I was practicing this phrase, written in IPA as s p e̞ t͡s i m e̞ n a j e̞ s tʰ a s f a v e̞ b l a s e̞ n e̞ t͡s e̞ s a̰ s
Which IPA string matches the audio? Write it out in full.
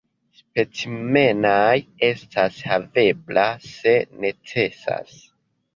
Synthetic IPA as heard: s p e̞ t͡s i m e̞ n a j e̞ s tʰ a s h a v e̞ b l a s e̞ n e̞ t͡s e̞ s a̰ s